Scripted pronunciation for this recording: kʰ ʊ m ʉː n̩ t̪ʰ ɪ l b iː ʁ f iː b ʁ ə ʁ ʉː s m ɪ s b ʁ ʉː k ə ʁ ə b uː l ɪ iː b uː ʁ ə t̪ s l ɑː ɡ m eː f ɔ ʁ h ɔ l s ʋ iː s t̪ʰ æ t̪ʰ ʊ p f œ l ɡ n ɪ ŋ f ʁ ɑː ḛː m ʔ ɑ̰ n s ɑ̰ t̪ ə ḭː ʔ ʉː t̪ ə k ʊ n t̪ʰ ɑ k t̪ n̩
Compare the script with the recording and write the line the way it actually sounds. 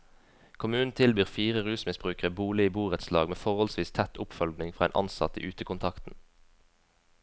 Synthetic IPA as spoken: kʰ ʊ m ʉː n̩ t̪ʰ ɪ l b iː ʁ f iː ʁ ə ʁ ʉː s m ɪ s b ʁ ʉː k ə ʁ ə b uː l ɪ iː b uː ʁ ə t̪ s l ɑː ɡ m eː f ɔ ʁ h ɔ l s ʋ iː s t̪ʰ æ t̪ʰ ʊ p f œ l ɡ n ɪ ŋ f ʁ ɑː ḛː n ʔ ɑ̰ n s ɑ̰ t̪ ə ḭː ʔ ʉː t̪ ə k ʊ n t̪ʰ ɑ k t̪ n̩